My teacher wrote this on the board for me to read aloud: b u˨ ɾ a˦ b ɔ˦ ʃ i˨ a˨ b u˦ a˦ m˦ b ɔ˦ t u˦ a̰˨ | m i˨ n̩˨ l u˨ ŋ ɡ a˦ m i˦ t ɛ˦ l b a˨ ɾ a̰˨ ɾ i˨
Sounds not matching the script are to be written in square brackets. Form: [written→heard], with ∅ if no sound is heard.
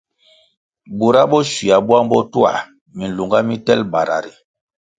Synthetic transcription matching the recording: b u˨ ɾ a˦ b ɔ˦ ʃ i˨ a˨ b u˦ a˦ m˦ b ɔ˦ t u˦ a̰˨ | m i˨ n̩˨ l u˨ ŋ ɡ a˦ m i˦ t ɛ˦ l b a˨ ɾ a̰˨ ɾ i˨